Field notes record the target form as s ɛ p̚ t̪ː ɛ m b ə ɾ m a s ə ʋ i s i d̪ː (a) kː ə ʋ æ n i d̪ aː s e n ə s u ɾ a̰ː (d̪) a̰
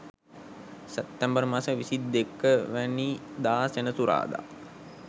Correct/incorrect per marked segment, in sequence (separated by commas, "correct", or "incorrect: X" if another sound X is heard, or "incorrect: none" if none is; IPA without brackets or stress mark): incorrect: e, correct